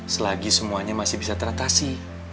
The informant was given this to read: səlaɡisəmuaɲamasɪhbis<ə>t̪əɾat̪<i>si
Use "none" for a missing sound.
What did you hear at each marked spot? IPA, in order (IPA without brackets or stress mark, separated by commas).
a, a